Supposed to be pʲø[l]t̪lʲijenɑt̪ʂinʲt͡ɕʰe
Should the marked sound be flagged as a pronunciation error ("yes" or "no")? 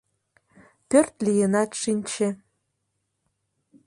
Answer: yes